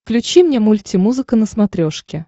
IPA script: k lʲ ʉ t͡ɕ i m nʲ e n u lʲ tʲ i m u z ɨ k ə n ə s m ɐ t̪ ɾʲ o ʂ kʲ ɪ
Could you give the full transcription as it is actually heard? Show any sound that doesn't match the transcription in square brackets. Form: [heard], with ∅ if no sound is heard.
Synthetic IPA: k lʲ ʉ t͡ɕ i m nʲ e [m] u lʲ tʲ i m u z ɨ k ə n ə s m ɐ t̪ ɾʲ o ʂ kʲ ɪ